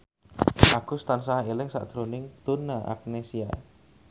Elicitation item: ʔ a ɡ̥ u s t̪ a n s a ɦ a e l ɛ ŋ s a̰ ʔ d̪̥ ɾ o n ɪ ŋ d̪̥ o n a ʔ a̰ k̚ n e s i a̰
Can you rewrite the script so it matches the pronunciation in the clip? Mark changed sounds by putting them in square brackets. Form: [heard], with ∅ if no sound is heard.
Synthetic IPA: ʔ a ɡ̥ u s t̪ a n s a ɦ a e l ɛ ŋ s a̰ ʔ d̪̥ ɾ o n ɪ ŋ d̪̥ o n a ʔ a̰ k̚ n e s i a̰

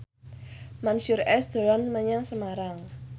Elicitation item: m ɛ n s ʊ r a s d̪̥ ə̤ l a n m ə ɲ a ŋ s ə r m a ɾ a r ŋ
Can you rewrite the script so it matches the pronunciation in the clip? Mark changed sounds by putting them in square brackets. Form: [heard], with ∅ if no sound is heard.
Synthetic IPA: m [a] n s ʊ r [ɛ] s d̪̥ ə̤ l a n m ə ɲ a ŋ s ə [∅] m a ɾ a [∅] ŋ

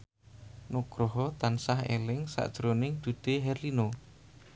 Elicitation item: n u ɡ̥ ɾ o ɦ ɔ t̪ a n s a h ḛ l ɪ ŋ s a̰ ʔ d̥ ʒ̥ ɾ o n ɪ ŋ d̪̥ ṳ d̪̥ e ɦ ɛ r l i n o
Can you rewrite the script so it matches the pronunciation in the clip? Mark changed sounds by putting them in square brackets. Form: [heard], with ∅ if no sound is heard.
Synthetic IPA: n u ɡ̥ ɾ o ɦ ɔ t̪ a n s a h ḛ l ɪ ŋ s a̰ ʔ d̥ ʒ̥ ɾ o n ɪ ŋ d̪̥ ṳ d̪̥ e ɦ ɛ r l i n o

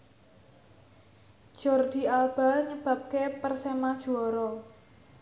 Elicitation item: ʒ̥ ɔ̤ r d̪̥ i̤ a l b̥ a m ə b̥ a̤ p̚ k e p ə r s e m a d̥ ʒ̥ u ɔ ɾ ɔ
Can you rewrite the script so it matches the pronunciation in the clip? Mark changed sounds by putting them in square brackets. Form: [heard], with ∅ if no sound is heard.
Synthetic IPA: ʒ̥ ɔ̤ r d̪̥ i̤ a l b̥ a [ɲ] ə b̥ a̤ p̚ k e p ə r s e m a d̥ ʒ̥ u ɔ ɾ ɔ

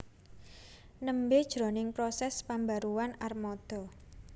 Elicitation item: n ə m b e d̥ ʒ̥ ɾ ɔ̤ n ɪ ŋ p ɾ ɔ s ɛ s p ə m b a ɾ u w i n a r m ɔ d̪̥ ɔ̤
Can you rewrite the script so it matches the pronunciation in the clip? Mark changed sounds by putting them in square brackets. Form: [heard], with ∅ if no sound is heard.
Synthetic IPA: n ə m b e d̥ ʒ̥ ɾ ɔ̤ n ɪ ŋ p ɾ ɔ s ɛ s p [a] m b a ɾ u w [a] n a r m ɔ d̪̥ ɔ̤

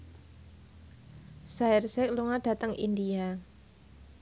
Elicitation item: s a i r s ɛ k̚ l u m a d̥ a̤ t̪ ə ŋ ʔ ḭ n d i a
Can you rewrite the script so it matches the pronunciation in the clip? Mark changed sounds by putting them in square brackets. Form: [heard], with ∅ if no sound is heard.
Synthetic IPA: s a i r s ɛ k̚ l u [ŋ] a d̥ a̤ t̪ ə ŋ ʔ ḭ n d i a

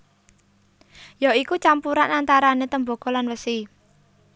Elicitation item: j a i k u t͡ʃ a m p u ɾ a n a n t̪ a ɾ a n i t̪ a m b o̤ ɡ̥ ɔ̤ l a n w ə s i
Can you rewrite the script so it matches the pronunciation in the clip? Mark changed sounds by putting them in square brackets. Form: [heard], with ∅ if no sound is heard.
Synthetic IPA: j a i k u t͡ʃ a m p u ɾ a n a n t̪ a ɾ a n [e] t̪ [ə] m b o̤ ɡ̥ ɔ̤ l a n w ə s i

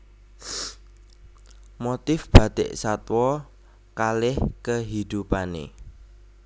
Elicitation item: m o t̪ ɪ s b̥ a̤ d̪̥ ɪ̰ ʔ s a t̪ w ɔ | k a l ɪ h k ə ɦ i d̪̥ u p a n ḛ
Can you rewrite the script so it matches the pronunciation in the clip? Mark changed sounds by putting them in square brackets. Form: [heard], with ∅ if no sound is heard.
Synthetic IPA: m o t̪ ɪ [f] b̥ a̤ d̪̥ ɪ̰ ʔ s a t̪ w ɔ | k a l ɪ h k ə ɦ i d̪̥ u p a n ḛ

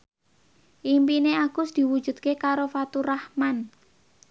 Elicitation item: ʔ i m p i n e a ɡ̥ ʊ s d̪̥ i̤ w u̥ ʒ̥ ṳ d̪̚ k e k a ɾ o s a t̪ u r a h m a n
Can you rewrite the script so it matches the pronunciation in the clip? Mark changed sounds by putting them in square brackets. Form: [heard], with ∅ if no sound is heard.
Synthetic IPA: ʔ i m p i n e a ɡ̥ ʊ s d̪̥ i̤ w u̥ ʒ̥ ṳ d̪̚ k e k a ɾ o [f] a t̪ u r a h m a n

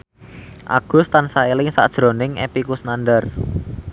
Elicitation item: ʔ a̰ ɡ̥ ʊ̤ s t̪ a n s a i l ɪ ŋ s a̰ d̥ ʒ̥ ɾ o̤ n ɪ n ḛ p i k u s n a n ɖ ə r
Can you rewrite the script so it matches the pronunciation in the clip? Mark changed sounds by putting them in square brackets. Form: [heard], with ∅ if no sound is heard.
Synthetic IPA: ʔ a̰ ɡ̥ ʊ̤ s t̪ a n s a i l ɪ ŋ s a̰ d̥ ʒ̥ ɾ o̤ n ɪ [ŋ] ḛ p i k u s n a n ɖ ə r

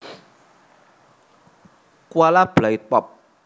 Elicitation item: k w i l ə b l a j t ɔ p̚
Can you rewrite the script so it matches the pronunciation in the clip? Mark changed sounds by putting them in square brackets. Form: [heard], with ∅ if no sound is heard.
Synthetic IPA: k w [a] l [a] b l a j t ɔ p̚

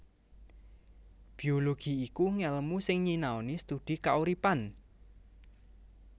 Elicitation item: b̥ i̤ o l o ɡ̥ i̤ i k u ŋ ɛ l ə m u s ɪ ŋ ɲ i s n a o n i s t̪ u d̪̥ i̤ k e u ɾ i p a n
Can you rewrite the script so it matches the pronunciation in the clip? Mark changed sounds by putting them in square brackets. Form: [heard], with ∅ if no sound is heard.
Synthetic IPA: b̥ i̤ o l o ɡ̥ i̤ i k u ŋ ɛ l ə m u s ɪ ŋ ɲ i [∅] n a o n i s t̪ u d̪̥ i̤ k [a] u ɾ i p a n

